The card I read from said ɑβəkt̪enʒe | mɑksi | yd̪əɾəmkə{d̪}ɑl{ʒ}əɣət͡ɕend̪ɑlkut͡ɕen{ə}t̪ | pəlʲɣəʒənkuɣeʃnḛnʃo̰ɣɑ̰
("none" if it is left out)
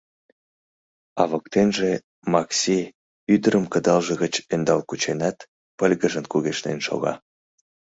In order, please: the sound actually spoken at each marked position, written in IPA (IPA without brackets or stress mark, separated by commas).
d̪, ʒ, ɑ